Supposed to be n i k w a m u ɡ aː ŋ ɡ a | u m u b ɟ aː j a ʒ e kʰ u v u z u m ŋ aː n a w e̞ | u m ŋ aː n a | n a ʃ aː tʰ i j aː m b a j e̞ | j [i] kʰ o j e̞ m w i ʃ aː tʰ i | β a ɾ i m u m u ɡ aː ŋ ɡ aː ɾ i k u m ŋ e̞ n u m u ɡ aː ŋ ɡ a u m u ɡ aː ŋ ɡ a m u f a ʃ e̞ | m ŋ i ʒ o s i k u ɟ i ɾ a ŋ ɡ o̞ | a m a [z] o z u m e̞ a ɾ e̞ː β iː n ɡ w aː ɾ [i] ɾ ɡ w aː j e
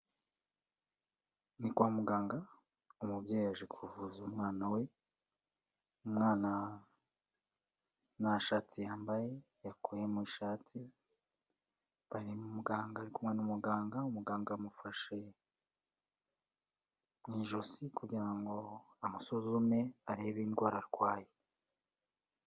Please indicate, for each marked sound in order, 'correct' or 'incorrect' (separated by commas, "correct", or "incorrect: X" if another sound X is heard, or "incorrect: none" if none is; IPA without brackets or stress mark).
incorrect: a, incorrect: s, incorrect: a